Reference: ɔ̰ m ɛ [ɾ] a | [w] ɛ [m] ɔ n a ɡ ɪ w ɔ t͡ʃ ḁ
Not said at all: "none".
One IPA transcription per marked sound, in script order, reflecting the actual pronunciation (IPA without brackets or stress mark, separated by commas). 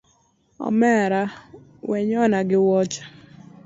ɾ, w, ɲ